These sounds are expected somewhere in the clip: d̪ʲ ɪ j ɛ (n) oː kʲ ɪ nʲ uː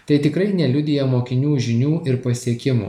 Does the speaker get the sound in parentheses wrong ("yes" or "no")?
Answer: yes